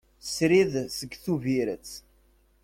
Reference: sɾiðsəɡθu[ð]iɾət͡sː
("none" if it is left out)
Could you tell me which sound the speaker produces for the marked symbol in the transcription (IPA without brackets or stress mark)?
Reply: v